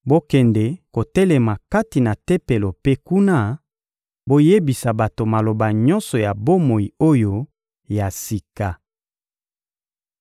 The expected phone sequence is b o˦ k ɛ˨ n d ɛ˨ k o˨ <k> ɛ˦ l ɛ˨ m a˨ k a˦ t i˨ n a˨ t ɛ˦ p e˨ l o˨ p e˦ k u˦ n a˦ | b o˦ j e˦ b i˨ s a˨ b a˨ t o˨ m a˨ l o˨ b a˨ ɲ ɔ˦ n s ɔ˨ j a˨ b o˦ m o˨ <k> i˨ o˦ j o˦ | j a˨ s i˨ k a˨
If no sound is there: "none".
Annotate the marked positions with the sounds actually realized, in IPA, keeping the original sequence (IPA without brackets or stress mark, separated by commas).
t, none